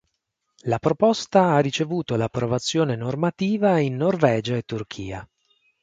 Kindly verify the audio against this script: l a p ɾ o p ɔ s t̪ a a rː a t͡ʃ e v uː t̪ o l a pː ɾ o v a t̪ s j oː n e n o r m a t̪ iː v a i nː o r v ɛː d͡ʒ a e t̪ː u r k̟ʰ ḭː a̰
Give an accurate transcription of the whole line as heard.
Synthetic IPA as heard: l a p ɾ o p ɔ s t̪ a a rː i t͡ʃ e v uː t̪ o l a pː ɾ o v a t̪ sː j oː n e n o r m a t̪ iː v a i nː o r v ɛː d͡ʒ a e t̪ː u r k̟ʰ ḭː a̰